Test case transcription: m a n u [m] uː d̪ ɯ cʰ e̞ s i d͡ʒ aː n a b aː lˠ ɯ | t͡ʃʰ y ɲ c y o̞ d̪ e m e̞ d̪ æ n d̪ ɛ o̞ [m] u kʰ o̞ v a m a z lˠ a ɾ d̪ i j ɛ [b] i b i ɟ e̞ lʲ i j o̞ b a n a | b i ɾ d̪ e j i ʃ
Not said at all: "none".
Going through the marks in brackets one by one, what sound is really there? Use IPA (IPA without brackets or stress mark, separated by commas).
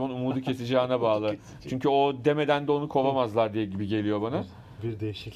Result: m, n, ɟ